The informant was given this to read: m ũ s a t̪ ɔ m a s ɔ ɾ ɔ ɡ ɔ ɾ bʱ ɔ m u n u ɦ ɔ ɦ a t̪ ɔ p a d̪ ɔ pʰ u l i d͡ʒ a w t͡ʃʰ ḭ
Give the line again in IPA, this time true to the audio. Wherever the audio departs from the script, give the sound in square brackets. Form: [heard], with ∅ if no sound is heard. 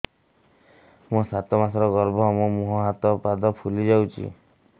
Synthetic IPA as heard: m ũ s a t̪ ɔ m a s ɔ ɾ ɔ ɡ ɔ ɾ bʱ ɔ m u [m] u ɦ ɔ ɦ a t̪ ɔ p a d̪ ɔ pʰ u l i d͡ʒ a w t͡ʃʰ ḭ